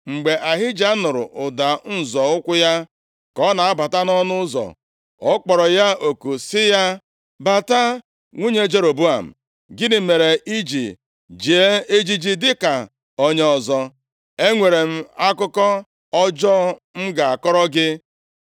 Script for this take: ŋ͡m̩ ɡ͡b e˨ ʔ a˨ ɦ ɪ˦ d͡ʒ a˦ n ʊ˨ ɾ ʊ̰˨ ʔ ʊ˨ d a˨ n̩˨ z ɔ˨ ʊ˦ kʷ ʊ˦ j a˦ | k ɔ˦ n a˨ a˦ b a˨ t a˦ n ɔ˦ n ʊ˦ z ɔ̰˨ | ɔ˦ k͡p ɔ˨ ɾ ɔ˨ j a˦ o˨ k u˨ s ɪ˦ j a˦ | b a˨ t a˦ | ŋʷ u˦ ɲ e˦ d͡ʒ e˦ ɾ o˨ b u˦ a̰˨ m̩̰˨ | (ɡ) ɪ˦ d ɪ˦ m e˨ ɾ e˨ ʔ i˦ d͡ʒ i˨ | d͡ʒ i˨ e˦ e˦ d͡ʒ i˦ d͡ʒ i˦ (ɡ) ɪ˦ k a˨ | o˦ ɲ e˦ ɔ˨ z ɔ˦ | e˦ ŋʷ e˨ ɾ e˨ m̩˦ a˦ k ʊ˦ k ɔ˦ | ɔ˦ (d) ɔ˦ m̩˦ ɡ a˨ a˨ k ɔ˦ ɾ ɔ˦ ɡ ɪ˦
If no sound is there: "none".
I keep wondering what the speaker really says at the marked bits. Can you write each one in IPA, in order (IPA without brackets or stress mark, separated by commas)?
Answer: ɡ, d, d͡ʒ